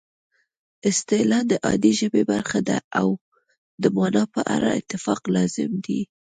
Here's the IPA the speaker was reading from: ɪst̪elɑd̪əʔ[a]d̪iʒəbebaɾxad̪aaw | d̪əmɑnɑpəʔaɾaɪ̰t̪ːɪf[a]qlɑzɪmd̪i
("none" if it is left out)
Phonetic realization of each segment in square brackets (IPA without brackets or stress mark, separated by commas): ɑ, ɑ